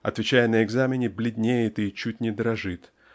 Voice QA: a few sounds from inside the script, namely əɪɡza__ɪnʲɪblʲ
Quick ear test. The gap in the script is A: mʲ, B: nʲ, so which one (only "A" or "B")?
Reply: A